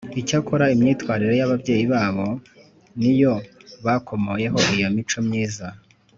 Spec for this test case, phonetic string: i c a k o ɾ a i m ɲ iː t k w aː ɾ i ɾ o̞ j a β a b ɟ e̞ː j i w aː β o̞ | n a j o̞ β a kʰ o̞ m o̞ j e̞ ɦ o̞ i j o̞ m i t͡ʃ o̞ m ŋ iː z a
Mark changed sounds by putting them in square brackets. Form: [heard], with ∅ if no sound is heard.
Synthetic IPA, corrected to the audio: i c a k o ɾ a i m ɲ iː t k w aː ɾ i ɾ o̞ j a β a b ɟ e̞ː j i [β] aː β o̞ | n [i] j o̞ β a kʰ o̞ m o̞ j e̞ ɦ o̞ i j o̞ m i t͡ʃ o̞ m [ɲ] iː z a